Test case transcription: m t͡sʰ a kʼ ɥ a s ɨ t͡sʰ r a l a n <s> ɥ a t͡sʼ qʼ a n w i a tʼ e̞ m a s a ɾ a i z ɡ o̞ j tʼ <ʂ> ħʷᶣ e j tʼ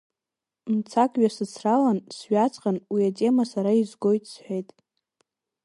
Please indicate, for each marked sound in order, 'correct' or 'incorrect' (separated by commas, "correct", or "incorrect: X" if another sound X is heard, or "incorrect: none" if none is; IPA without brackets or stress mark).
correct, incorrect: s